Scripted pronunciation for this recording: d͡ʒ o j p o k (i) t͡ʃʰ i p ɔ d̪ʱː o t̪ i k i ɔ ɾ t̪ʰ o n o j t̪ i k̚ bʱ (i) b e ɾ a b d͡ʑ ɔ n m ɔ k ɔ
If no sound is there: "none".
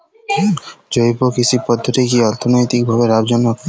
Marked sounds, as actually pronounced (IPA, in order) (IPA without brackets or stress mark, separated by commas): i, a